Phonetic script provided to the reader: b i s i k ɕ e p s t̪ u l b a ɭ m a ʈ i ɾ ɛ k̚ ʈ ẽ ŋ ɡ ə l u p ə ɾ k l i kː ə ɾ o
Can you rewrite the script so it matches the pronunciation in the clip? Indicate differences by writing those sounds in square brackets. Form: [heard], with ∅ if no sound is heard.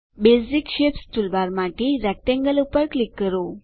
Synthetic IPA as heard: b [e] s i k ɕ e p s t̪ u l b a [ɾ] m a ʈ i ɾ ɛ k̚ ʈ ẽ ŋ ɡ ə l u p ə ɾ k l i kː ə ɾ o